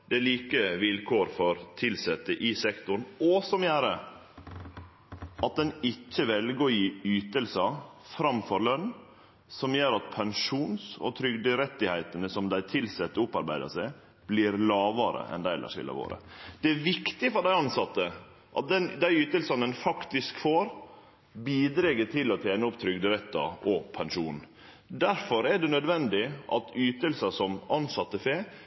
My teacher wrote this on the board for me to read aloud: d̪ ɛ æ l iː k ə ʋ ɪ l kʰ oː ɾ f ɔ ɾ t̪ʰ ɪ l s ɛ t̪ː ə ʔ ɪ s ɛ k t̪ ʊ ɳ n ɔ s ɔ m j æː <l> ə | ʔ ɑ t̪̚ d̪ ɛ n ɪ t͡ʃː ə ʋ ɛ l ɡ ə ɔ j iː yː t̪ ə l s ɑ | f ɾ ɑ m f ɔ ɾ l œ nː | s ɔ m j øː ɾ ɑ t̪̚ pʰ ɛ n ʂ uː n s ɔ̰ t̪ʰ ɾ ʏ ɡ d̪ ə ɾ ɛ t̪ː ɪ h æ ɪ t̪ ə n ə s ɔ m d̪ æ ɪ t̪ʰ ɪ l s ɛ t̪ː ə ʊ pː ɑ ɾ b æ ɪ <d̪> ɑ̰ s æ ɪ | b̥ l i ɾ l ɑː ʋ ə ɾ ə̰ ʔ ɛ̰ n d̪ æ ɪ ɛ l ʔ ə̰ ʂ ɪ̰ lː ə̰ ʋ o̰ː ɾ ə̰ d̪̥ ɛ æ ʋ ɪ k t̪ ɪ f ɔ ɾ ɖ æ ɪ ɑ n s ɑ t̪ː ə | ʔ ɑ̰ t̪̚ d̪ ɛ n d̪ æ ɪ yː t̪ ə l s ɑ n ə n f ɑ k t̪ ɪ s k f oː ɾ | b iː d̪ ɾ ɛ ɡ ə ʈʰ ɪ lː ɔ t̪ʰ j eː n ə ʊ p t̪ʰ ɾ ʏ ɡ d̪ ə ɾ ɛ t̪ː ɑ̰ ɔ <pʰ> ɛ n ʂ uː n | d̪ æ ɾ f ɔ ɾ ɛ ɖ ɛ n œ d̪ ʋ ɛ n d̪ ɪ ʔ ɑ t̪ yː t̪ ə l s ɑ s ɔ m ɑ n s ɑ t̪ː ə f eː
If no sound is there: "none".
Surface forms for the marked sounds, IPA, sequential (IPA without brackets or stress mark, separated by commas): ɾ, d̪, pʰ